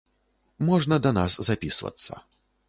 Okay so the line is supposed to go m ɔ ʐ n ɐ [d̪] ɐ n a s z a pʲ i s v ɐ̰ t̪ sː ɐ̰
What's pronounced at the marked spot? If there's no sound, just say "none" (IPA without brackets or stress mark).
d̪